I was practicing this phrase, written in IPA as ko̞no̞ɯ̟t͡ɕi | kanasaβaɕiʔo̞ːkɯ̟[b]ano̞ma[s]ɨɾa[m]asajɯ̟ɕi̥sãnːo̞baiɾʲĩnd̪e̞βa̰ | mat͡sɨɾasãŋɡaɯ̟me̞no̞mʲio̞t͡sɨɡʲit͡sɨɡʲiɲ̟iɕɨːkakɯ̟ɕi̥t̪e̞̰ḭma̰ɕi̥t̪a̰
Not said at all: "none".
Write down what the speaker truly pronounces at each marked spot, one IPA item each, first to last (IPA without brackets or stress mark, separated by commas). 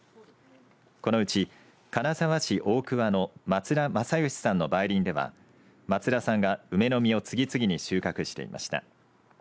β, t͡s, m